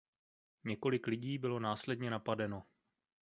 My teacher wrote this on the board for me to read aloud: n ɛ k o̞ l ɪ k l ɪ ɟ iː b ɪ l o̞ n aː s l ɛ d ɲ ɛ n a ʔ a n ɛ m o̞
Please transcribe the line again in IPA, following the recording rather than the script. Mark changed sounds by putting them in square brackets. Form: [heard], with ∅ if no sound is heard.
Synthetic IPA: [ɲ] ɛ k o̞ l ɪ k l ɪ ɟ iː b ɪ l o̞ n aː s l ɛ d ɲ ɛ n a [p] a [d] ɛ [n] o̞